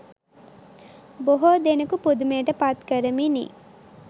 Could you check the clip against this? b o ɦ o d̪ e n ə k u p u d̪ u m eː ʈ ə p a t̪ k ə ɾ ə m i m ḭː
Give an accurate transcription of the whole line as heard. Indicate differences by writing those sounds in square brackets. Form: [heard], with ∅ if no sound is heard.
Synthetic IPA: b o ɦ o d̪ e n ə k u p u d̪ u m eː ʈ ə p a t̪ k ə ɾ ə m i [n] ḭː